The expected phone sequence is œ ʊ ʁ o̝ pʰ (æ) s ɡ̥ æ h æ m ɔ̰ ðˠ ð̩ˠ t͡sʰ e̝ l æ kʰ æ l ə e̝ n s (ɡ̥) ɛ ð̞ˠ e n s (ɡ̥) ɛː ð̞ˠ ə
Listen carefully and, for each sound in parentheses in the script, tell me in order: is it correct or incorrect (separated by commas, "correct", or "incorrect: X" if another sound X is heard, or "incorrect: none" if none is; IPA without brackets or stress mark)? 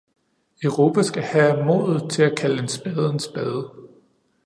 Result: correct, incorrect: b̥, incorrect: b̥